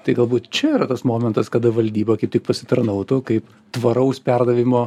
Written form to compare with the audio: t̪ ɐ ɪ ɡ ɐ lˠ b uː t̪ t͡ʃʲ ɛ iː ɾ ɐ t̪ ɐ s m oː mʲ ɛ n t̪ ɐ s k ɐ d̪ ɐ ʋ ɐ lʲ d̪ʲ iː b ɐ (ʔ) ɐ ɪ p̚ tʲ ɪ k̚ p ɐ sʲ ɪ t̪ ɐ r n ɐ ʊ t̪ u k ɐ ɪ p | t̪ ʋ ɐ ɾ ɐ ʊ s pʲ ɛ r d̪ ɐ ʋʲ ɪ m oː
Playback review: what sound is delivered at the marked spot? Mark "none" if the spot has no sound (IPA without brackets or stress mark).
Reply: k